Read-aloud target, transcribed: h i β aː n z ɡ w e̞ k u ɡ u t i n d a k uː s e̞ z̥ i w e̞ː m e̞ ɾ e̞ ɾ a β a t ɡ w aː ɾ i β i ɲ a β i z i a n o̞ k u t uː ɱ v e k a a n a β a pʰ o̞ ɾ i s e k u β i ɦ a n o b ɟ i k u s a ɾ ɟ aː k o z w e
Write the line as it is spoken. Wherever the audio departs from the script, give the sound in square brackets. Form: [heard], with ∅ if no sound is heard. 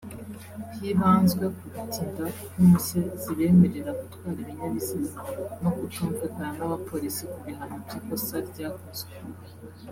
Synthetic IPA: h i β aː n z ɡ w e̞ k u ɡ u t i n d a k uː s e̞ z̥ i [β] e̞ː m e̞ ɾ e̞ ɾ a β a t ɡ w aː ɾ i β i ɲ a β i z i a n o̞ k u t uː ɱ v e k a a n a β a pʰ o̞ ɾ i s [i] k u β i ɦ a n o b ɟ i k [o] s a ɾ ɟ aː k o z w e